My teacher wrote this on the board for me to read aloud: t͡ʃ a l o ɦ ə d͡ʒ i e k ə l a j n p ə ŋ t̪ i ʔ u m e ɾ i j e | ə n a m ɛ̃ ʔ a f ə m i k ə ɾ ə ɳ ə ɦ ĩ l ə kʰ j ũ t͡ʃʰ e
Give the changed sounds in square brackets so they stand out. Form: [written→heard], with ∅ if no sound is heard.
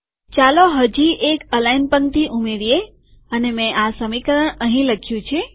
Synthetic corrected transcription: t͡ʃ a l o ɦ ə d͡ʒ i e k ə l a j n p ə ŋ t̪ i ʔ u m e ɾ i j e | ə n [a→e] m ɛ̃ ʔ a [f→s] ə m i k ə ɾ ə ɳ ə ɦ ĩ l ə kʰ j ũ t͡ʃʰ e

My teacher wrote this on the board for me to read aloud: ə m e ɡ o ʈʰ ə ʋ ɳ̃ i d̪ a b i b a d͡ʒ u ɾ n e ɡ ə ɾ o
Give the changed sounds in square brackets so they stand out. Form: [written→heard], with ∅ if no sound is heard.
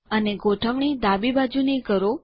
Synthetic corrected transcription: ə [m→n] e ɡ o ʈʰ ə ʋ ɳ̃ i d̪ a b i b a d͡ʒ u [ɾ→∅] n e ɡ ə ɾ o

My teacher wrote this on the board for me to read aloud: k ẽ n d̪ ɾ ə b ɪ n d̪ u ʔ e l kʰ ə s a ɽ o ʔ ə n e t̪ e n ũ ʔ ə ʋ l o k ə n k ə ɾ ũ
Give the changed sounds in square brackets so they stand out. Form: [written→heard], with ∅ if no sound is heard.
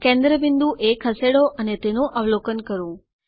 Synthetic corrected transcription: k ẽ n d̪ ɾ ə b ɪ n d̪ u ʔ e [l→∅] kʰ ə s [a→e] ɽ o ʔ ə n e t̪ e n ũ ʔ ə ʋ l o k ə n k ə ɾ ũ

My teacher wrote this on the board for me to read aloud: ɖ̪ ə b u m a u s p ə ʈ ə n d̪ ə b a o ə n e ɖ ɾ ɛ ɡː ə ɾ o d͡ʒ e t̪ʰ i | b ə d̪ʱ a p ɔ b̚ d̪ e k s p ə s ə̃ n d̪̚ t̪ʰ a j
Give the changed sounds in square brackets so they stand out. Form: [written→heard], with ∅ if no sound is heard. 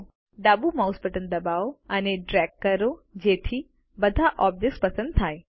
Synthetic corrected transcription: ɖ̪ [ə→a] b u m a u s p ə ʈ ə n d̪ ə b a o ə n e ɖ ɾ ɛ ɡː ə ɾ o d͡ʒ e t̪ʰ i | b ə d̪ʱ a [p→ʔ] ɔ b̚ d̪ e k s p ə s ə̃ n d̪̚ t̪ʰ a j

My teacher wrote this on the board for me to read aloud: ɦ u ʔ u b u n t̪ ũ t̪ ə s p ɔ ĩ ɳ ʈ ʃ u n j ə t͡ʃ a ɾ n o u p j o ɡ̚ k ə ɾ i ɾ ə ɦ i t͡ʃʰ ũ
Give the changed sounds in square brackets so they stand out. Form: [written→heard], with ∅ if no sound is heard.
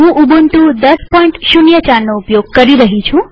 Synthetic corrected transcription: ɦ [u→ũ] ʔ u b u n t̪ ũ [t̪→d̪] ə s p ɔ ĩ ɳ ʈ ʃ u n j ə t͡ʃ a ɾ n o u p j o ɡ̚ k ə ɾ i ɾ ə ɦ i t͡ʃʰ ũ

